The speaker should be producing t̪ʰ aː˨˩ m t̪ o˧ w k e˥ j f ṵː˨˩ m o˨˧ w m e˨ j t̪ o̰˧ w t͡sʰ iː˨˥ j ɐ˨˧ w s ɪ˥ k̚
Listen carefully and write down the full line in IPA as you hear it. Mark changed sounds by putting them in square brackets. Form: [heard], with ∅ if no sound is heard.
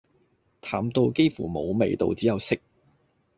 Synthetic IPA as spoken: t̪ʰ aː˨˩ m t̪ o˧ w k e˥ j f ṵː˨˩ m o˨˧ w m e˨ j t̪ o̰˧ w [t͡s] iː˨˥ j ɐ˨˧ w s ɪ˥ k̚